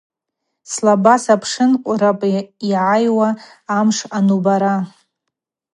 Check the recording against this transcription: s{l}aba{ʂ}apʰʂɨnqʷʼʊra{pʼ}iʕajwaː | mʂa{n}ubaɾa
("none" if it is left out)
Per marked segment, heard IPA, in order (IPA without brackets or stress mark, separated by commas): l, s, pʼ, n